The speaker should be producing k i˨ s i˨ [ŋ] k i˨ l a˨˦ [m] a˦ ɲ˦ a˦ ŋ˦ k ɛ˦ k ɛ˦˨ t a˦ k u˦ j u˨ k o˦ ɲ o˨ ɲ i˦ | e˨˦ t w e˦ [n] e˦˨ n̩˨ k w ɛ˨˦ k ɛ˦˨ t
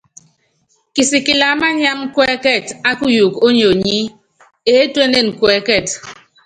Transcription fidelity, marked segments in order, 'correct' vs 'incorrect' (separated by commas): incorrect, correct, correct